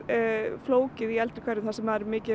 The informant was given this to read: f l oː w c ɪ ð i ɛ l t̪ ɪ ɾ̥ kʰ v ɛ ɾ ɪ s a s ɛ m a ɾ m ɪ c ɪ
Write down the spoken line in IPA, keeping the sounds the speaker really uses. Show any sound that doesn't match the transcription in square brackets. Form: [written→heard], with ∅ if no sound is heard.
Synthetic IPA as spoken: f l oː w c ɪ ð i ɛ l t̪ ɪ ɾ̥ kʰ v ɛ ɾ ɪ [s→θ] a s ɛ m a ɾ m [ɪ→ɪː] c ɪ